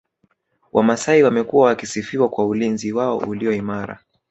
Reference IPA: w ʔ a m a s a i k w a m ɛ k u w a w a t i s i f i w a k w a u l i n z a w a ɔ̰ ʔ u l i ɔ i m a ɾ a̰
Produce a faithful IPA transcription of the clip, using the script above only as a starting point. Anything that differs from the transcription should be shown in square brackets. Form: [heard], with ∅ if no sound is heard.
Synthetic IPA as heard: w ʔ a m a s a i [∅] w a m ɛ k u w a w a [k] i s i f i w a k w a u l i n z [i] w a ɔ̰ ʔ u l i ɔ i m a ɾ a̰